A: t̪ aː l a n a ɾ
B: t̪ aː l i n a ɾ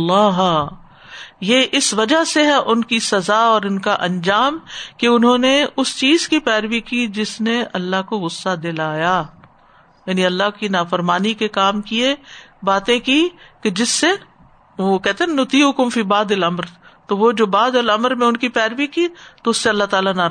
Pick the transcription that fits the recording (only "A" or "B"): A